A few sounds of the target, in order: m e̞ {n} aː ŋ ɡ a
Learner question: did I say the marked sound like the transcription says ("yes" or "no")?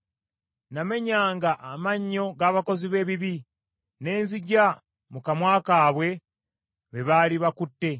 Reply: no